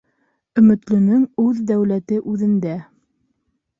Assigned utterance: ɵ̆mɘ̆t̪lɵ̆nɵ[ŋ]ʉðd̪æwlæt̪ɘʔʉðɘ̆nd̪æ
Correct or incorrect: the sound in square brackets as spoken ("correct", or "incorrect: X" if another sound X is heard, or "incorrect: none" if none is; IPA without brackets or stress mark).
correct